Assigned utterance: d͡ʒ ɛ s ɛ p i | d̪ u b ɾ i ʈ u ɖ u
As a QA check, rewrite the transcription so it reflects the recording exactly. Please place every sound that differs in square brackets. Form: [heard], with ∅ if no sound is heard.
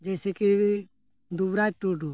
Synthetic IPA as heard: d͡ʒ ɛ s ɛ [k] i | d̪ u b ɾ [a] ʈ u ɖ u

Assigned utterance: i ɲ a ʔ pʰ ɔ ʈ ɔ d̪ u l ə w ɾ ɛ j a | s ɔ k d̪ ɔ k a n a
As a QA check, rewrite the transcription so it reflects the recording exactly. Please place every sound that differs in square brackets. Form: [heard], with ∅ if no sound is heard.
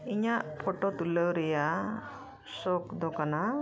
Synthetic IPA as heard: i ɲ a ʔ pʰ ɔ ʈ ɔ [t̪] u l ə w ɾ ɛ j a | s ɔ k d̪ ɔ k a n a

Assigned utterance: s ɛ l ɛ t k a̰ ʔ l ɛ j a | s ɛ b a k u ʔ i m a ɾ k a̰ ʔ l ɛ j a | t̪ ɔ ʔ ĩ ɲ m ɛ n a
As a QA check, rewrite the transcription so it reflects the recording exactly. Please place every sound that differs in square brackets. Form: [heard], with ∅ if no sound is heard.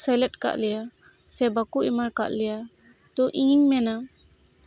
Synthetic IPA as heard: s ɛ l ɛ t k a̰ ʔ l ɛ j a | s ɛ b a k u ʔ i m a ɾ k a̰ ʔ l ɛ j a | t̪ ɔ ʔ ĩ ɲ m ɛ n a

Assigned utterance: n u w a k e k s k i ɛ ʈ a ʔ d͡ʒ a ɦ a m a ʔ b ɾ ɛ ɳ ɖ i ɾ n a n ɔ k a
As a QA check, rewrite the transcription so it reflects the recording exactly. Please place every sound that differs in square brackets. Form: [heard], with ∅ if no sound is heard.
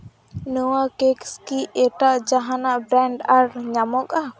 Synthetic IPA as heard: n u w a k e k s k i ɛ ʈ a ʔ d͡ʒ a ɦ a [n] a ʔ b ɾ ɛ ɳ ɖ [a] ɾ [ɲ] a [m] ɔ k a

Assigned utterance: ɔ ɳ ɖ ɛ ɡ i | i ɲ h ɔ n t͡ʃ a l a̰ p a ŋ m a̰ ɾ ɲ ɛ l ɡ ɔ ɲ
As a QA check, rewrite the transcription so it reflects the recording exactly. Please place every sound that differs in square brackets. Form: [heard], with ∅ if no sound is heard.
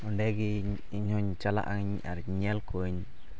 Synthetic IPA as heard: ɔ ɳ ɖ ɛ ɡ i | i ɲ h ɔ [ɲ] t͡ʃ a l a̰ [ʔ] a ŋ [ɲ] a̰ ɾ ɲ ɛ l [k] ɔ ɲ

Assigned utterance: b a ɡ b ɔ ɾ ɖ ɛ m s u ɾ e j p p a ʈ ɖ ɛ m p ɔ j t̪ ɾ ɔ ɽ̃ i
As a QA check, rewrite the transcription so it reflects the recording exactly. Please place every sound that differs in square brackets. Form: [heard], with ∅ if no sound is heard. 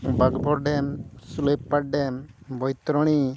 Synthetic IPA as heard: b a ɡ b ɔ ɾ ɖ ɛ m s u [l] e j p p a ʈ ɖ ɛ m [b] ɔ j t̪ ɾ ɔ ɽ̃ i

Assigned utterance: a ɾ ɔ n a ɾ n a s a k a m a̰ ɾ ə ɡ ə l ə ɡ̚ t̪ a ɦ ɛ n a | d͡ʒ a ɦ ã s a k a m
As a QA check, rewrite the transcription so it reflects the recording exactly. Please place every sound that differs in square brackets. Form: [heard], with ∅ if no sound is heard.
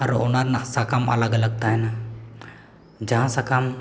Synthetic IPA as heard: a ɾ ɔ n a ɾ n a s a k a m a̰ [l] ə ɡ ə l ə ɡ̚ t̪ a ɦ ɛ n a | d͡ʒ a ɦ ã s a k a m

